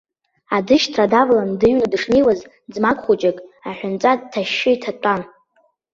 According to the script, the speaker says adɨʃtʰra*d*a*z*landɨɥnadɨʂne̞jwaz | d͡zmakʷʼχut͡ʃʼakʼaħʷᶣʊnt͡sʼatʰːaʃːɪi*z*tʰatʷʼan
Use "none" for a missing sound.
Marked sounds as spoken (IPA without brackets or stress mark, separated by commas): d, v, none